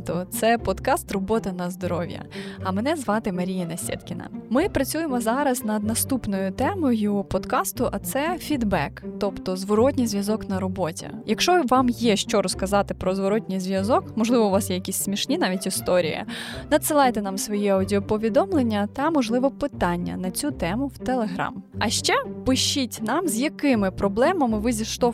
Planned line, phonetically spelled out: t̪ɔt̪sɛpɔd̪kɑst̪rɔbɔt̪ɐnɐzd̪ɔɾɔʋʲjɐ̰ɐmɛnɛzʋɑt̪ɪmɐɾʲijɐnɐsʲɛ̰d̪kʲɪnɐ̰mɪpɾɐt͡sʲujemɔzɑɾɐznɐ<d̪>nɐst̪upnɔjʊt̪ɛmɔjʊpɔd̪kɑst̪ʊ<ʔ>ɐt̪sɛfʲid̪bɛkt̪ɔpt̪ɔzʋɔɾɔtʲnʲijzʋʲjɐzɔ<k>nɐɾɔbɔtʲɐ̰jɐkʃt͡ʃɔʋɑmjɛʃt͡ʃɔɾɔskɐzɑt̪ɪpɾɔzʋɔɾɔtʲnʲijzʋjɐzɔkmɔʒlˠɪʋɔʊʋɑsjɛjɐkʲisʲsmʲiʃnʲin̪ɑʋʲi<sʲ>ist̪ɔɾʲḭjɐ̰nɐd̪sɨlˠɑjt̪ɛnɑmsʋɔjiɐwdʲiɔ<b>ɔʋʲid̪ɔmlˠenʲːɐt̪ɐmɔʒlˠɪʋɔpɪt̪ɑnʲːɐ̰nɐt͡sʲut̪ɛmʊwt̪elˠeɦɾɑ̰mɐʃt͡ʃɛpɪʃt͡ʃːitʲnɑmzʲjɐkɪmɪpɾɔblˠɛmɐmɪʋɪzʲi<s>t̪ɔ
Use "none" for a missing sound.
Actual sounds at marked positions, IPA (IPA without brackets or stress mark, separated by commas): d̪, ʔ, k, tʲ, p, ʃ